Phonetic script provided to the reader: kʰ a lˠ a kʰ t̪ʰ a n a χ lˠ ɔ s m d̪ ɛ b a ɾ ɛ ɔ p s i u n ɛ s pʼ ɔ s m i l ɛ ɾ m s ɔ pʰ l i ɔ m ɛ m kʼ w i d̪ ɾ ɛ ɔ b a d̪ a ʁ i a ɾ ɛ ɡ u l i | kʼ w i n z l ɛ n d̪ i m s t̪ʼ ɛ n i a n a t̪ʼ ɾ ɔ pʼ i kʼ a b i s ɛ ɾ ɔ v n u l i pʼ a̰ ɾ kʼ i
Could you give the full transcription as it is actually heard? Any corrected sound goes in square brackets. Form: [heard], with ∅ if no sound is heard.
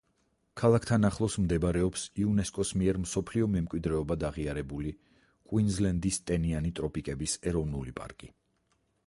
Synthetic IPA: kʰ a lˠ a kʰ t̪ʰ a n a χ lˠ ɔ s m d̪ ɛ b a ɾ ɛ ɔ p s i u n ɛ s [kʼ] ɔ s m i [∅] ɛ ɾ m s ɔ pʰ l i ɔ m ɛ m kʼ w i d̪ ɾ ɛ ɔ b a d̪ a ʁ i a ɾ ɛ [b] u l i | kʼ w i n z l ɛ n d̪ i [∅] s t̪ʼ ɛ n i a n [i] t̪ʼ ɾ ɔ pʼ i kʼ [ɛ] b i s ɛ ɾ ɔ v n u l i pʼ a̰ ɾ kʼ i